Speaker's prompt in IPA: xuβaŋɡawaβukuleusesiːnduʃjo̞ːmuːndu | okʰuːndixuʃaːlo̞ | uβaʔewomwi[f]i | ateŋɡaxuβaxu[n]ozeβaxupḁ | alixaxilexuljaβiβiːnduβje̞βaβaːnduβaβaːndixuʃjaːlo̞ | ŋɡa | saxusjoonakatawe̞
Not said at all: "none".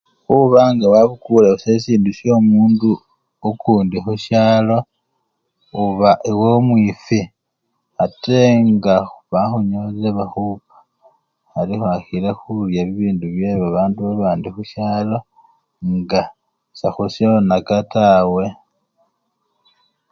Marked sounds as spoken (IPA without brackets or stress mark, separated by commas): f, ɲ